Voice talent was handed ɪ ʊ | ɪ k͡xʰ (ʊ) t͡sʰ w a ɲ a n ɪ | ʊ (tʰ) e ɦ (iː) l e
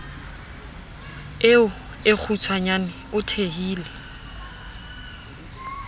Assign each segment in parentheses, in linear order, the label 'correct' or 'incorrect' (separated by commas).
incorrect, correct, correct